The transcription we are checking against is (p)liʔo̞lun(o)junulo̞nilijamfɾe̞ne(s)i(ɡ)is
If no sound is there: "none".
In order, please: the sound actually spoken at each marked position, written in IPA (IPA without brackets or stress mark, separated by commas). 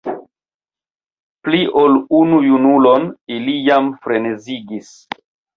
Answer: p, u, z, ɡ